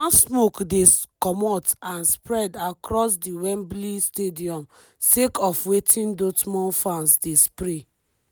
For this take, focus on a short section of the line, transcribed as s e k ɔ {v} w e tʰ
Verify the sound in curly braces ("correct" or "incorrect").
incorrect